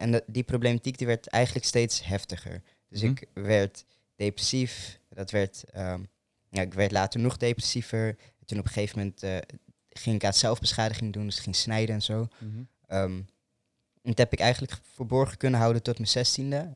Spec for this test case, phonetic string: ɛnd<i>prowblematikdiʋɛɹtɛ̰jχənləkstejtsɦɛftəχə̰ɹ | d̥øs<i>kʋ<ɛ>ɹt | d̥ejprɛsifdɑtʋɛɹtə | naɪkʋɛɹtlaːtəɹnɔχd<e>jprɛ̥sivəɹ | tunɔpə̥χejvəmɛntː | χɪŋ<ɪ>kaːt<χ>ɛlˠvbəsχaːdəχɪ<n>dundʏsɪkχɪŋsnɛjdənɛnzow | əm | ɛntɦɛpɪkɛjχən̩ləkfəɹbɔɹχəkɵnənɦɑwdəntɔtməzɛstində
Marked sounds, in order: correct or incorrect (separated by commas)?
correct, incorrect, correct, correct, correct, incorrect, incorrect